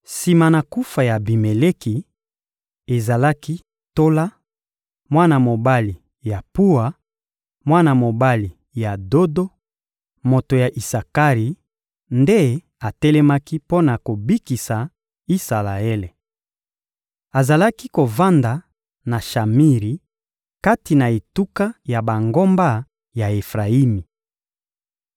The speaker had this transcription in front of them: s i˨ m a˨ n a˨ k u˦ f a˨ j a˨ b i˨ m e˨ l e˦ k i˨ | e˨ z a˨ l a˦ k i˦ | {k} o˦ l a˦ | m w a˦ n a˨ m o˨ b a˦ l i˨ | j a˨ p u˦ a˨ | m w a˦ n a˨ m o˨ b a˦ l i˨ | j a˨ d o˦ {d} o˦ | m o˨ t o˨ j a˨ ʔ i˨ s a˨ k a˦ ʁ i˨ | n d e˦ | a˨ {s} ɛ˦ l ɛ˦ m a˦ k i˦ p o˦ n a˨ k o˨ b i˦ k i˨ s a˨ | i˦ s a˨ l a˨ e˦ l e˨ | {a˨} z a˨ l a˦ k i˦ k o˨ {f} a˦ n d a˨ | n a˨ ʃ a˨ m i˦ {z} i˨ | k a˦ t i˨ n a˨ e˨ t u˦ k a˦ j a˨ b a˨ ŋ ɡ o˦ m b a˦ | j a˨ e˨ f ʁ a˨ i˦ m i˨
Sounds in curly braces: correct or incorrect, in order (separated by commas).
incorrect, correct, incorrect, correct, incorrect, incorrect